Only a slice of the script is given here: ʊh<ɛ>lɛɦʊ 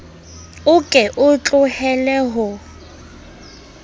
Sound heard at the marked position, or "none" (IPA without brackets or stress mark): ɛ